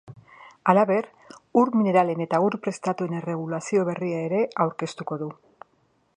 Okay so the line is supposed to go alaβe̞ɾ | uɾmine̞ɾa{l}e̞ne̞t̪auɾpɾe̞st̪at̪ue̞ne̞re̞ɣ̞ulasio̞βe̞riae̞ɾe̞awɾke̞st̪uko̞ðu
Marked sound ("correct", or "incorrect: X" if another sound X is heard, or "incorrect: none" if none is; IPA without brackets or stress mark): correct